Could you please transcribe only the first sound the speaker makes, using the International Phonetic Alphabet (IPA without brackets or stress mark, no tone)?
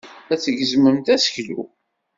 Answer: æ